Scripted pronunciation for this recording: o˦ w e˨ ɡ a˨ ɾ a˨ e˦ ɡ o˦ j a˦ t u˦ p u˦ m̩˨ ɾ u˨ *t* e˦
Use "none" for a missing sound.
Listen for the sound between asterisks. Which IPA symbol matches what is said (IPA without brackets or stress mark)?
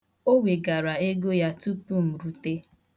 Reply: t